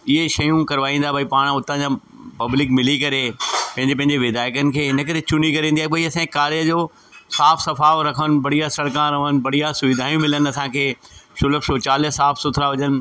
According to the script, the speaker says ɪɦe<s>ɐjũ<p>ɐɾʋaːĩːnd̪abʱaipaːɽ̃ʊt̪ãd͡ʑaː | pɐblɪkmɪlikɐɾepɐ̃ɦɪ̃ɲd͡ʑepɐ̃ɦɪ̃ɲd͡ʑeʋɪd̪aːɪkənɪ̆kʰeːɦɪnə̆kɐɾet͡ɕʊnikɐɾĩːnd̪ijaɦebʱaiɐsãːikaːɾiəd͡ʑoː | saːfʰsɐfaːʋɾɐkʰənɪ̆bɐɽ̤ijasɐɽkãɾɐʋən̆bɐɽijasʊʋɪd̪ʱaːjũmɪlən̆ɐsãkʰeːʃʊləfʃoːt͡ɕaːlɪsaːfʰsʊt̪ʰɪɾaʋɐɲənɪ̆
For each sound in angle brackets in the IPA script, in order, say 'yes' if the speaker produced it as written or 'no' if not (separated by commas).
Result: no, no